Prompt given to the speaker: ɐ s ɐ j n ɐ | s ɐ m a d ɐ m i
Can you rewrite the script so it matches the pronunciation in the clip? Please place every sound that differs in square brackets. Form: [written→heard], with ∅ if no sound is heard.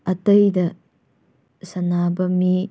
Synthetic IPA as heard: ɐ [s→t] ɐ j [n→d] ɐ | s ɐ [m→n] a [d→b] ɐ m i